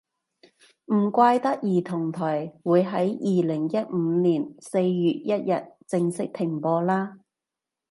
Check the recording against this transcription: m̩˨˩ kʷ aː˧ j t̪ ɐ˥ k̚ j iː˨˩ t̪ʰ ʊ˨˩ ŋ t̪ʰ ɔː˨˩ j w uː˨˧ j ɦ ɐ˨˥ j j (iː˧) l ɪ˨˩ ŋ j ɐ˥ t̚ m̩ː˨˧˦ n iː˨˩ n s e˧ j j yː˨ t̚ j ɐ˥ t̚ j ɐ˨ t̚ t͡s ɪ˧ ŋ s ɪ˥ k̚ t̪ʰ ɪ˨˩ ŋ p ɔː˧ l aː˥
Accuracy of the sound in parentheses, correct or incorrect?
correct